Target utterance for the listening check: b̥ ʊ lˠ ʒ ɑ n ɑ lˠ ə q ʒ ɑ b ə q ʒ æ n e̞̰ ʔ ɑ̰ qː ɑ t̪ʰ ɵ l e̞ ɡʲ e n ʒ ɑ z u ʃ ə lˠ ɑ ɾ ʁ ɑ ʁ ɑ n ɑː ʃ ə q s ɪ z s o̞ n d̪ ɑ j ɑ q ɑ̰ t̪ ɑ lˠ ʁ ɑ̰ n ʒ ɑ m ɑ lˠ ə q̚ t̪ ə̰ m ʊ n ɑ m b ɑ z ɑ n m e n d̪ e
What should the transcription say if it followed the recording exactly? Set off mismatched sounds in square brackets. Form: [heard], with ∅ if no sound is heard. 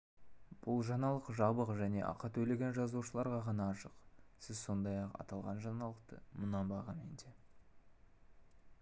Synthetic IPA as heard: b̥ ʊ lˠ ʒ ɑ n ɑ lˠ ə q ʒ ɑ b ə q ʒ æ n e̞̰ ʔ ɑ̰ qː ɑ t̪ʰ ɵ l e̞ ɡʲ e n ʒ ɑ z u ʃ ə lˠ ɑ ɾ ʁ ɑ ʁ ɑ n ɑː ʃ ə q s ɪ z s o̞ n d̪ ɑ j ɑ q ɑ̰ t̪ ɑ lˠ ʁ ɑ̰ n ʒ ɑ [n] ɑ lˠ ə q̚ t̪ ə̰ m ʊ n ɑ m b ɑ [ʁ] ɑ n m e n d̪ e